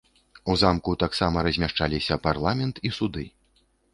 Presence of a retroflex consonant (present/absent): present